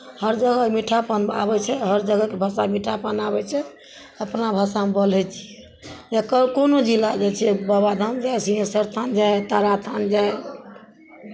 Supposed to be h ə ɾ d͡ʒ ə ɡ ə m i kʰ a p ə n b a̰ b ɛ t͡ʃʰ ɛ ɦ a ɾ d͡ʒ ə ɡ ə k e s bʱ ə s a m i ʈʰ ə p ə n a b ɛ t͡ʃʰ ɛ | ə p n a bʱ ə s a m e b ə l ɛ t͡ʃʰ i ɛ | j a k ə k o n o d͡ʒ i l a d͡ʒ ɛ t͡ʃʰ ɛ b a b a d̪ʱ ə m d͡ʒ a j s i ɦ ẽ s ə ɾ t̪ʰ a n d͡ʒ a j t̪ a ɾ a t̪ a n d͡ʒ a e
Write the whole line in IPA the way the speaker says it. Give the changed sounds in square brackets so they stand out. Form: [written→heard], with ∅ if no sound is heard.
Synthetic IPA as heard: h ə ɾ d͡ʒ ə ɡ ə m i [kʰ→ʈʰ] a p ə n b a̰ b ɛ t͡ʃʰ ɛ ɦ [a→ə] ɾ d͡ʒ ə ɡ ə k e [s→∅] bʱ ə s a m i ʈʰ [ə→a] p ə n a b ɛ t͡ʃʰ ɛ | ə p n a bʱ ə s a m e b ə l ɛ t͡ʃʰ i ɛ | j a k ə k o n o d͡ʒ i l a d͡ʒ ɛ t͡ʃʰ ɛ b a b a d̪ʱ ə m d͡ʒ a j s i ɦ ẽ s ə ɾ t̪ʰ a n d͡ʒ a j t̪ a ɾ a [t̪→t̪ʰ] a n d͡ʒ a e